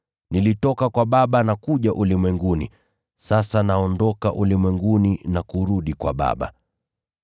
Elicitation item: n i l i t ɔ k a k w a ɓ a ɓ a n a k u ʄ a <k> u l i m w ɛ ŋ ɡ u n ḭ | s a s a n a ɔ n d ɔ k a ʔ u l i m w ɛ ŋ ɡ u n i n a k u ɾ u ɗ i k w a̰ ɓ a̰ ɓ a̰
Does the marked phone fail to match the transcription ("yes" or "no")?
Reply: yes